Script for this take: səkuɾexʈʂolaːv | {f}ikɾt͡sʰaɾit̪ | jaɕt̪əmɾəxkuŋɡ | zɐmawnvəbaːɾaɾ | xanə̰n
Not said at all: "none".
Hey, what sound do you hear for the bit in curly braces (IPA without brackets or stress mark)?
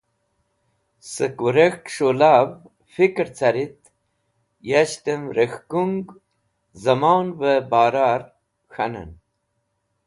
f